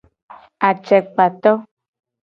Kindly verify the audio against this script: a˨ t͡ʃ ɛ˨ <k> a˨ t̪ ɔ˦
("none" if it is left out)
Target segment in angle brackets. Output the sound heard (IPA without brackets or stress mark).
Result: k͡p